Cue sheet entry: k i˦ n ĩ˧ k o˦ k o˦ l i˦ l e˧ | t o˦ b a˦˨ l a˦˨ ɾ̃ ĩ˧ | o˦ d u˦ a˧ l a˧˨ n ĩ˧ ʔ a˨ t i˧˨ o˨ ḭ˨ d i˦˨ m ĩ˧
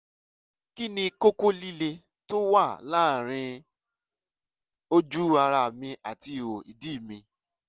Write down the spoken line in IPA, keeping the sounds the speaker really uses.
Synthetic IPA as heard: k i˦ n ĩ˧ k o˦ k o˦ l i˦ l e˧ | t o˦ w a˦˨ l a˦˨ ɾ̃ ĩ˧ | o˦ d͡ʒ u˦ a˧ ɾ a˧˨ m ĩ˧ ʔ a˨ t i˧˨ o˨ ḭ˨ d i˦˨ m ĩ˧